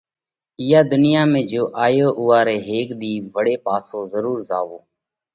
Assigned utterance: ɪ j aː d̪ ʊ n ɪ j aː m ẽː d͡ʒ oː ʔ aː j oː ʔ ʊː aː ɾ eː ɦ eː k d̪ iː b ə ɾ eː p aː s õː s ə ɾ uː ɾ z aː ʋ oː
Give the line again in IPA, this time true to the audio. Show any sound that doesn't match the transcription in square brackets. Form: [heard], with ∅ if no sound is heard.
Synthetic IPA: ɪ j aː d̪ ʊ n ɪ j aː m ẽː d͡ʒ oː ʔ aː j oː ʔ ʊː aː ɾ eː ɦ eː k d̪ iː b ə [ɽ] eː p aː s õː [z] ə ɾ uː ɾ z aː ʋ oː

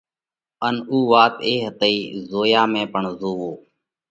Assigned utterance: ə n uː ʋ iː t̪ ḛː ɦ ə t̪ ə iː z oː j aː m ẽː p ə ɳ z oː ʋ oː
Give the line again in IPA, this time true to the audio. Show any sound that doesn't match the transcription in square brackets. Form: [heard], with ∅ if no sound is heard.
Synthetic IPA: ə n uː ʋ [aː] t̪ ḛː ɦ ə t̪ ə iː z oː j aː m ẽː p ə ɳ z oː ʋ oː

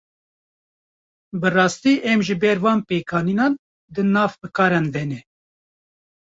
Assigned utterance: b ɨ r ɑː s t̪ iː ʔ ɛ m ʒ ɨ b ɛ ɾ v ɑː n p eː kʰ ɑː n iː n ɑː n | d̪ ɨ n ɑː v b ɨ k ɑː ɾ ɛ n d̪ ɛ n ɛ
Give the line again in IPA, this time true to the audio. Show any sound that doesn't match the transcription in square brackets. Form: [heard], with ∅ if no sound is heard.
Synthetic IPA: b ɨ r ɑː s t̪ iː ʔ ɛ m ʒ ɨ b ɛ ɾ v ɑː n p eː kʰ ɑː n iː n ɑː n | d̪ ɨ n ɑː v b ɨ k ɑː ɾ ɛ n d̪ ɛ n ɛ

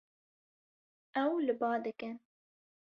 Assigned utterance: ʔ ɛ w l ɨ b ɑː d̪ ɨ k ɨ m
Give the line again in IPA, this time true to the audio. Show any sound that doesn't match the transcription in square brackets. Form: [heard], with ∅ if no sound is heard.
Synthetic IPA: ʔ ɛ w l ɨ b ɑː d̪ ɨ k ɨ [n]

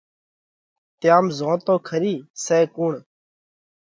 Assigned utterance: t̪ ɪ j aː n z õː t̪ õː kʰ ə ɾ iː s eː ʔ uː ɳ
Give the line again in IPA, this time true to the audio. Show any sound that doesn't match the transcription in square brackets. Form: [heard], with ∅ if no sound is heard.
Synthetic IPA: t̪ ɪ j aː [m] z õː t̪ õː kʰ ə ɾ iː s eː [k] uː ɳ

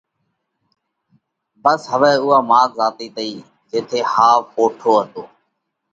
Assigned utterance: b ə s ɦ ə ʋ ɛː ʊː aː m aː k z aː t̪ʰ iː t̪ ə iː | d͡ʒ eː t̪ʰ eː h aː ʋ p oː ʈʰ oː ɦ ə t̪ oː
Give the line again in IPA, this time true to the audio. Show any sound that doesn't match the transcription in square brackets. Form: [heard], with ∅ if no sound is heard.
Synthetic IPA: b ə s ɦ ə ʋ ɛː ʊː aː m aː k z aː [t̪] iː t̪ ə iː | d͡ʒ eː t̪ʰ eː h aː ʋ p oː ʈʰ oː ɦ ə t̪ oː

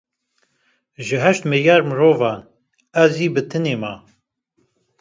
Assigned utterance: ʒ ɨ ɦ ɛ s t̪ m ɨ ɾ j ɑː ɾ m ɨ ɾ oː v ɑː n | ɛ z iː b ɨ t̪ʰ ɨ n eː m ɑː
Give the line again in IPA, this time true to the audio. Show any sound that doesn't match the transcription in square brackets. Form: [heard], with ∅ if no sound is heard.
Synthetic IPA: ʒ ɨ ɦ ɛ [ʃ] t̪ m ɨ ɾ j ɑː ɾ m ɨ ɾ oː v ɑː n | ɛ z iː b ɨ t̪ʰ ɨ n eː m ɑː

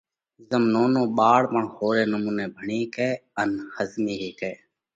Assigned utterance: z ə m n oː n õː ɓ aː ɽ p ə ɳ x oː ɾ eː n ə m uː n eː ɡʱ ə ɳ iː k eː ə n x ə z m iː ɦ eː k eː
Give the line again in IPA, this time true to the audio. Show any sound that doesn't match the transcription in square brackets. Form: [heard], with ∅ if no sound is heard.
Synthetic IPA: z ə m n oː n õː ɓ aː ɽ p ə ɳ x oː ɾ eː n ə m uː n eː [bʱ] ə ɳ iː k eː ə n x ə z m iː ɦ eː k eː

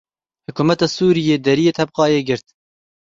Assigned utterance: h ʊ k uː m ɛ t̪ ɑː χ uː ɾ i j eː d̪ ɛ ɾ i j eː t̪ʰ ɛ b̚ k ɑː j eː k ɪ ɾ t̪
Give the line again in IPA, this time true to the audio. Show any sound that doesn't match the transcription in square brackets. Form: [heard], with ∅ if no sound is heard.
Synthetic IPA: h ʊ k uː m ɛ t̪ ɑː [s] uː ɾ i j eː d̪ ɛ ɾ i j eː t̪ʰ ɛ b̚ [q] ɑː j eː [ɡ] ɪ ɾ t̪

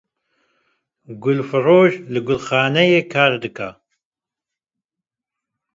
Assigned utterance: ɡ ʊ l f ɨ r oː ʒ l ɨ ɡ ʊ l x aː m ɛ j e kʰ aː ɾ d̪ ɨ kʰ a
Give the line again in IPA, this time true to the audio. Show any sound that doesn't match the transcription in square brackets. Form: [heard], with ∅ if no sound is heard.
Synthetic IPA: ɡ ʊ l f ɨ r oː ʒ l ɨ ɡ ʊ l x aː [n] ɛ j e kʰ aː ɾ d̪ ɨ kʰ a

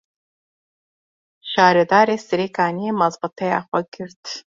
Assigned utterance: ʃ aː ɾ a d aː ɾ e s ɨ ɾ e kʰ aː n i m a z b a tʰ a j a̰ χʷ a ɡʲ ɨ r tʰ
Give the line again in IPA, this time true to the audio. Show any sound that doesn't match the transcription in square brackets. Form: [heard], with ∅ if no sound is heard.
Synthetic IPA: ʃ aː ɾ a d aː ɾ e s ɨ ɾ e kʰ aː n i m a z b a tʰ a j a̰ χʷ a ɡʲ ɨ r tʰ

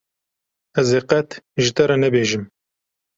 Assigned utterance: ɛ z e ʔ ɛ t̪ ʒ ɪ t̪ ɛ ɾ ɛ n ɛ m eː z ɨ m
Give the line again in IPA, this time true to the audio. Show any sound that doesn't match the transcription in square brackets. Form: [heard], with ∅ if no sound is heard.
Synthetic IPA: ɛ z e [q] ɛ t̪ ʒ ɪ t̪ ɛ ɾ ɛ n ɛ [b] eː [ʒ] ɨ m

